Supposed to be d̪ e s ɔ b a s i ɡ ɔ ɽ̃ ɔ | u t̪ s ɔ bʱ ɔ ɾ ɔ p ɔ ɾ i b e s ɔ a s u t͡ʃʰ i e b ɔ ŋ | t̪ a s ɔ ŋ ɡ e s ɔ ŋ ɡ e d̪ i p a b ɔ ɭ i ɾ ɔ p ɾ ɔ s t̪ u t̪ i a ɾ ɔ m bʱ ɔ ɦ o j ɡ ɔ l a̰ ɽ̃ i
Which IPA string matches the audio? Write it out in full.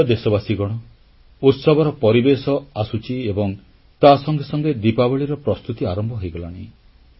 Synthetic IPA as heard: d̪ e s ɔ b a s i ɡ ɔ ɽ̃ ɔ | u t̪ s ɔ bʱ ɔ ɾ ɔ p ɔ ɾ i b e s ɔ a s u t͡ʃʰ i e b ɔ ŋ | t̪ a s ɔ ŋ ɡ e s ɔ ŋ ɡ e d̪ i p a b ɔ ɭ i ɾ ɔ p ɾ ɔ s t̪ u t̪ i a ɾ ɔ m bʱ ɔ ɦ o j ɡ ɔ l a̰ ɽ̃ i